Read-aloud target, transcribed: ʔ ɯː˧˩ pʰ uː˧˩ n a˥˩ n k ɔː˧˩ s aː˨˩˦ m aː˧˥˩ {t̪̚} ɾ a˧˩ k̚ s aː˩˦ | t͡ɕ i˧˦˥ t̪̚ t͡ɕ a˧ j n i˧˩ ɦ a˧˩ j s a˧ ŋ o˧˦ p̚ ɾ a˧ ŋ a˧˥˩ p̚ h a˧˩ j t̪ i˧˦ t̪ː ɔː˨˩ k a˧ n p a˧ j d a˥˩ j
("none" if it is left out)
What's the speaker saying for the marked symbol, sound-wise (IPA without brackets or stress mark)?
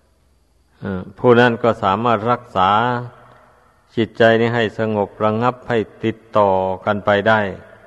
t̪̚